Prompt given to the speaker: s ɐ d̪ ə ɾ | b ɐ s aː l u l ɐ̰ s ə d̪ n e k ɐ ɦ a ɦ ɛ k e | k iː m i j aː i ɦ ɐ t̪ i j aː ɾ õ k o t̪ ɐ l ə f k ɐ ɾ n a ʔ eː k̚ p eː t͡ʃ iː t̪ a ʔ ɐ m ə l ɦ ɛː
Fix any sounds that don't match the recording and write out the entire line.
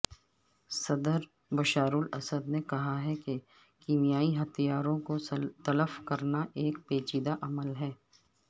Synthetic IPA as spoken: s ɐ d̪ ə ɾ | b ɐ ʃ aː ɾ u l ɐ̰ s ə d̪ n e k ɐ ɦ a ɦ ɛ k e | k iː m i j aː i ɦ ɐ t̪ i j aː ɾ õ k o t̪ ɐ l ə f k ɐ ɾ n a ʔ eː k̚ p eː t͡ʃ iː d̪ a ʔ ɐ m ə l ɦ ɛː